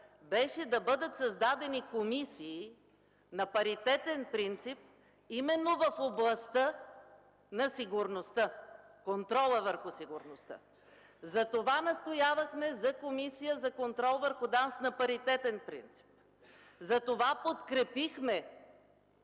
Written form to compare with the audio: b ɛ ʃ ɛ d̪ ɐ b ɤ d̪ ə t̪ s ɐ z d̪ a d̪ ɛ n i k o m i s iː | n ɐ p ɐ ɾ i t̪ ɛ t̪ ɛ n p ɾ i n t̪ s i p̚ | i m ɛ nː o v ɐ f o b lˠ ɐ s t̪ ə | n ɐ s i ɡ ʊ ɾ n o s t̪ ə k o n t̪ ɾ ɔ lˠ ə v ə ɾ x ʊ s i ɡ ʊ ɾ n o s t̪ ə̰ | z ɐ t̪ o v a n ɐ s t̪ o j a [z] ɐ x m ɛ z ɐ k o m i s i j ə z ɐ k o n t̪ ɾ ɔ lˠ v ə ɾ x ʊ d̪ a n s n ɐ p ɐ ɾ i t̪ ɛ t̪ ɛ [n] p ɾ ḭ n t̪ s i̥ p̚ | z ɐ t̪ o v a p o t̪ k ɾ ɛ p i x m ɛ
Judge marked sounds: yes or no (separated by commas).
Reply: no, yes